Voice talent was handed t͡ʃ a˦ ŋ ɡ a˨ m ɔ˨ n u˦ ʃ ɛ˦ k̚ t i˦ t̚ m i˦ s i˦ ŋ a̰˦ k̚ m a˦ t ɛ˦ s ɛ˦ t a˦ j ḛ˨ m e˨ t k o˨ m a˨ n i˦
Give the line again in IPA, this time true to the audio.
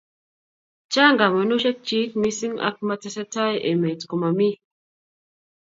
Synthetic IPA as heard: t͡ʃ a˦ ŋ ɡ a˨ m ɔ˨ n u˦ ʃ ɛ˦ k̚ t͡ʃ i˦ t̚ m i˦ s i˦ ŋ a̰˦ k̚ m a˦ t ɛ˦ s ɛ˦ t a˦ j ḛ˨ m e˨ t k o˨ m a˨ m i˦